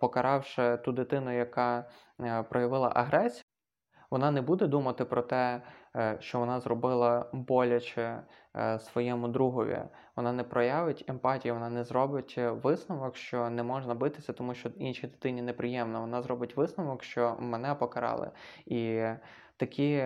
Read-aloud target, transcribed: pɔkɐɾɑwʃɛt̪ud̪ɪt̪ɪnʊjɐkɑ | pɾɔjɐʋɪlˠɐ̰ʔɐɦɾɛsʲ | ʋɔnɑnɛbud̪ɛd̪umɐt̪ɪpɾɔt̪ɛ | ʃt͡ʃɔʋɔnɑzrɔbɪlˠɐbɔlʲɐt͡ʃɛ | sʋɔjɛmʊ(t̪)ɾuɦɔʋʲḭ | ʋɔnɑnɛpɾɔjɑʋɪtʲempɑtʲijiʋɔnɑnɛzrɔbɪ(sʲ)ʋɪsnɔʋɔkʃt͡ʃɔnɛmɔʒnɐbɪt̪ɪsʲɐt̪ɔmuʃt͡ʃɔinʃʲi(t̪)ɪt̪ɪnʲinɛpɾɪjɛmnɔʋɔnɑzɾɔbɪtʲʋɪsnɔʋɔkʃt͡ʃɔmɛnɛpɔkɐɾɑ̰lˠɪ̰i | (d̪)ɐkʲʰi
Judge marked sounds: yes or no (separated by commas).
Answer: no, no, no, no